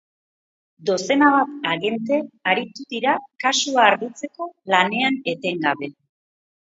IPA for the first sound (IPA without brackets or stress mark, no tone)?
d̪